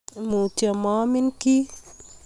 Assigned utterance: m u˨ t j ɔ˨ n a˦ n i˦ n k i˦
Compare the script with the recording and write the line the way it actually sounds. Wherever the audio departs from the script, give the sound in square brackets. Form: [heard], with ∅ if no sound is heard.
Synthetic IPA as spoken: m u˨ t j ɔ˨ [m] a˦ [m] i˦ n k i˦